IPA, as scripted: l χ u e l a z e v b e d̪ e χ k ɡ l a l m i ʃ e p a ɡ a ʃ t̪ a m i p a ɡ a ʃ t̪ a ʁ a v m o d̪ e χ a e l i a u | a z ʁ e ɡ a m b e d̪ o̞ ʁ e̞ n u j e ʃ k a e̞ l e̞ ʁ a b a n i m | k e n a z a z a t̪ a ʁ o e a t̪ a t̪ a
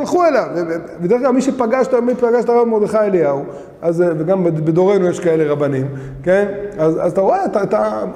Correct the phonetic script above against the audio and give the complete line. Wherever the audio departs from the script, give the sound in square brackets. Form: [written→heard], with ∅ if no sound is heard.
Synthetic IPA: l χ u e l a [z→v] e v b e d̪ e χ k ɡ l a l m i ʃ e p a ɡ a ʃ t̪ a m i p a ɡ a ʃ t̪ a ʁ a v m o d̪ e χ a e l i a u | a z [ʁ→v] e ɡ a m b e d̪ o̞ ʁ e̞ n u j e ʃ k a e̞ l e̞ ʁ a b a n i m | k e n a z a z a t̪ a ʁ o e a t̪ a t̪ a